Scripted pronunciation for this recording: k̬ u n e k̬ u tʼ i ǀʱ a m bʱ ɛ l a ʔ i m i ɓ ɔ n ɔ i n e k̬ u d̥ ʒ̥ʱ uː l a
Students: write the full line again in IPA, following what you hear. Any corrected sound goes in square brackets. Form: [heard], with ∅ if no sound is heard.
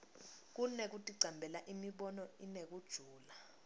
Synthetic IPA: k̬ u n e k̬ u tʼ i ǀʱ a m bʱ ɛ l a ʔ i m i ɓ ɔ n ɔ i n e k̬ u d̥ ʒ̥ʱ uː l a